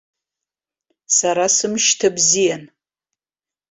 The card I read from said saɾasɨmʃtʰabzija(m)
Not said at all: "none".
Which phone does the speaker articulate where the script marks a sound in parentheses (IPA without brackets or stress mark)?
n